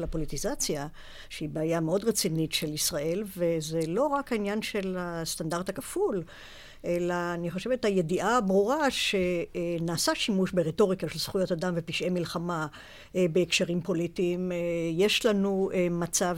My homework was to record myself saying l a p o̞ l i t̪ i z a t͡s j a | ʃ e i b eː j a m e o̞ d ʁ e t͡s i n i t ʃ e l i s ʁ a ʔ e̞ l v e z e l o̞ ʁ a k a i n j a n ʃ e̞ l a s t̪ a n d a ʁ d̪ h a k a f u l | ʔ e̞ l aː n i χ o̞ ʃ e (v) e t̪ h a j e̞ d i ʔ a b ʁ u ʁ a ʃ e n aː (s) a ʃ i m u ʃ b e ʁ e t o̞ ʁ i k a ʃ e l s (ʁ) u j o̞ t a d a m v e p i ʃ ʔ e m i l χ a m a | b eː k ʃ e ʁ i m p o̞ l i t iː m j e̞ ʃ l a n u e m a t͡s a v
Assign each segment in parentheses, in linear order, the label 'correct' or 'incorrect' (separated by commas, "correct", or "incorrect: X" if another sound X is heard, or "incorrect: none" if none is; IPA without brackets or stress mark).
correct, correct, incorrect: χ